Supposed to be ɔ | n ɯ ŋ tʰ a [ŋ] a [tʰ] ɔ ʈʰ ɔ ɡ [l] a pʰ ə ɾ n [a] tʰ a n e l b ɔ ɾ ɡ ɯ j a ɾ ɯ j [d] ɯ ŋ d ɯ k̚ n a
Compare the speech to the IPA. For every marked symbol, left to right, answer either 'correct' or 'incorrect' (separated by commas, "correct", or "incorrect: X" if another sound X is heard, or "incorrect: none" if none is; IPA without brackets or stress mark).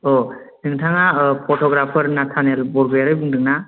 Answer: correct, incorrect: pʰ, incorrect: ɾ, correct, incorrect: b